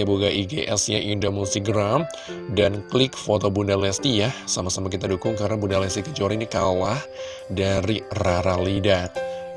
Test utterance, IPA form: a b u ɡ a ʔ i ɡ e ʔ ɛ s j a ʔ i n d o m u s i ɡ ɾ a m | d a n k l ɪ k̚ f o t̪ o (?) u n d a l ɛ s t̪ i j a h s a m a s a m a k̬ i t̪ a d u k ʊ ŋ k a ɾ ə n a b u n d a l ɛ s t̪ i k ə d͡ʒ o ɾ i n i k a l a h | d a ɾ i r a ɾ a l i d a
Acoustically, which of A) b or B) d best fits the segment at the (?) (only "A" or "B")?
A